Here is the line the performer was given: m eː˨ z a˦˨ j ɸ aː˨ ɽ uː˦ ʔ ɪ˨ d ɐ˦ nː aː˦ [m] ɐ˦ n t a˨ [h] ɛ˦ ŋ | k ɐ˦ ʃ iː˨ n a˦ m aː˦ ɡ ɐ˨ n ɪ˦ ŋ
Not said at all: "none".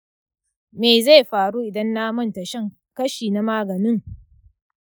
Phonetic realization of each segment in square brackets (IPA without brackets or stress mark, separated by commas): m, ʃ